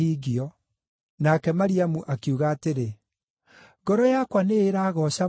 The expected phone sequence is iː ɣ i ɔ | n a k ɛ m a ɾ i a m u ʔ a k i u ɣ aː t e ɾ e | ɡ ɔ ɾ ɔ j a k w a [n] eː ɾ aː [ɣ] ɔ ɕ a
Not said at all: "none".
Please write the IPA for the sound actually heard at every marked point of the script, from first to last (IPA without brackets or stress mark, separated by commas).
n, ɣ